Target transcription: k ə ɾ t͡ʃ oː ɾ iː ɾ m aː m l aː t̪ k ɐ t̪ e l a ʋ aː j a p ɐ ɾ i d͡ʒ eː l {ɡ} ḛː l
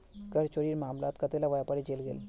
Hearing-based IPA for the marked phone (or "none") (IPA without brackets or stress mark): ɡ